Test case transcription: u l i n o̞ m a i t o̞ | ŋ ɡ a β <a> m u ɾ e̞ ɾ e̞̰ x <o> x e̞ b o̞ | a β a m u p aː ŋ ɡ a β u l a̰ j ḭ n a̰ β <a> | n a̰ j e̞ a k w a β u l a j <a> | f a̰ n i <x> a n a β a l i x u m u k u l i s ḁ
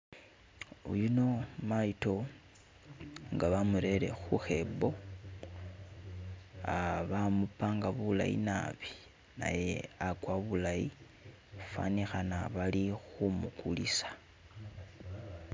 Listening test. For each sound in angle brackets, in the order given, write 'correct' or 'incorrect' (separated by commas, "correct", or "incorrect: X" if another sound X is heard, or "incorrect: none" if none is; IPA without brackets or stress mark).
correct, incorrect: u, incorrect: i, incorrect: i, correct